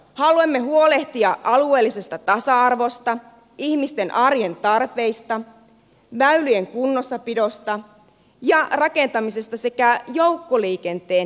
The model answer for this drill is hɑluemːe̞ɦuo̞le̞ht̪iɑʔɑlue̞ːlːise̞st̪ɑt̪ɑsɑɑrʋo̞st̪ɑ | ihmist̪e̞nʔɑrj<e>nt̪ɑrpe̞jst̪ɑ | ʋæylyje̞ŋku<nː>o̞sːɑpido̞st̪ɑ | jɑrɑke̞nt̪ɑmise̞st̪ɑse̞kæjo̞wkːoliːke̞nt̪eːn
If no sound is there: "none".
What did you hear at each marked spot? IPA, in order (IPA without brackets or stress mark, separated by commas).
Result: e, nː